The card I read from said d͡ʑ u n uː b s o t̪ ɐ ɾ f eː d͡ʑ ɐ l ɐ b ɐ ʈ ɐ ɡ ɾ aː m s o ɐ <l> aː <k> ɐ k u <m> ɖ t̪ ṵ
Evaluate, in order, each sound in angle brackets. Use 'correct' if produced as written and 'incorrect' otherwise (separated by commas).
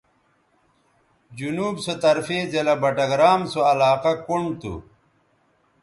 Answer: correct, incorrect, incorrect